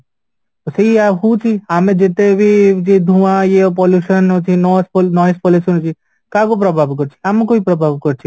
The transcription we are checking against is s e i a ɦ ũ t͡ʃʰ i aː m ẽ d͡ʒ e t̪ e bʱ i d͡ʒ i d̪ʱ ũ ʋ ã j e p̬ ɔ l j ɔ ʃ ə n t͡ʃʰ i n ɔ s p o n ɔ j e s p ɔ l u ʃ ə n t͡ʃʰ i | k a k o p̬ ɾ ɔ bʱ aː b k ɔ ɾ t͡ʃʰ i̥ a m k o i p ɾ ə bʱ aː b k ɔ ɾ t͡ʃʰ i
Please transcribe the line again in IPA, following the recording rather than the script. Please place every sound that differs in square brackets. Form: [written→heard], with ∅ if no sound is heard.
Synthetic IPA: s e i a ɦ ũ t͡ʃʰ i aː m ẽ d͡ʒ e t̪ e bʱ i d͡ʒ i d̪ʱ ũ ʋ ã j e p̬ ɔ l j [ɔ→u] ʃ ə n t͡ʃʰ i n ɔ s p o n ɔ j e s p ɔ l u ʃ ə n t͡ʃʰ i | k a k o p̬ ɾ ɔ bʱ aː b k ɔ ɾ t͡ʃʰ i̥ a m k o i p ɾ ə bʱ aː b k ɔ ɾ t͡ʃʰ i